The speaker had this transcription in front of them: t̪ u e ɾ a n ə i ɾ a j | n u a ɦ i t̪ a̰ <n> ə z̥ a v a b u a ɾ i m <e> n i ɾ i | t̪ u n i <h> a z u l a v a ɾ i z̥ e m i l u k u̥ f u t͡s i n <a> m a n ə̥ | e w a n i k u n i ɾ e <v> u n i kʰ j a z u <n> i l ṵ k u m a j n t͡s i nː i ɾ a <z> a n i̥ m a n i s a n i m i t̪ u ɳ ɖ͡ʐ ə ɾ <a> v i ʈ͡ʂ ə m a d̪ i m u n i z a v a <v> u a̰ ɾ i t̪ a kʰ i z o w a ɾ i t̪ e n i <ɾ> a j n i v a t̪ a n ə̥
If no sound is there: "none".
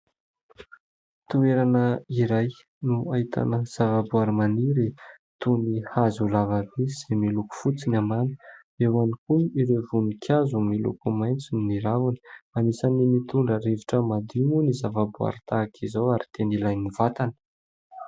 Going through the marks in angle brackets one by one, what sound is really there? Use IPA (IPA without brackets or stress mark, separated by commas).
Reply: n, a, h, a, v, m, v, e, b, l